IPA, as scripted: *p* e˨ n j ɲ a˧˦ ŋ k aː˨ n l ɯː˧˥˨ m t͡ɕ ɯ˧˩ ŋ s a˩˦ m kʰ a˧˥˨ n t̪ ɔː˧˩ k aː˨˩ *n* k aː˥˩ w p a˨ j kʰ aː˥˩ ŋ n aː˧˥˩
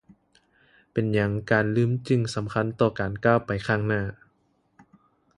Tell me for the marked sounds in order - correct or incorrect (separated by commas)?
correct, correct